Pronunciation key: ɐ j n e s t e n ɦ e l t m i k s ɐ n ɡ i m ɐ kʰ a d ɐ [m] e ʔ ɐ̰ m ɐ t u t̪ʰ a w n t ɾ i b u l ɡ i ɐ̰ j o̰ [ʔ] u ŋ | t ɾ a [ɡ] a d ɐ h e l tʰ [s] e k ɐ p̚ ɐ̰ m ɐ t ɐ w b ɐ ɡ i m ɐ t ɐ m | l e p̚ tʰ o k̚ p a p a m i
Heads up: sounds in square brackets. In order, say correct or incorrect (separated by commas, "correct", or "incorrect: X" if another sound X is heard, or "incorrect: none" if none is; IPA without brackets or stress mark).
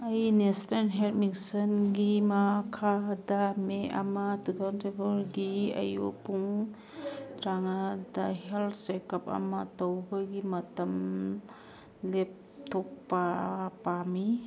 correct, incorrect: p, incorrect: ŋ, correct